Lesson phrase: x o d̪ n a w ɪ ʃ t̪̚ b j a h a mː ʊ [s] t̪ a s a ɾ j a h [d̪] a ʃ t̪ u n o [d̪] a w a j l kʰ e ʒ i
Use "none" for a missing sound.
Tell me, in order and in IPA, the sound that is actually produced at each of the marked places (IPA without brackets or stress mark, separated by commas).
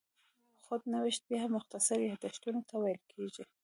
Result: x, d̪, t̪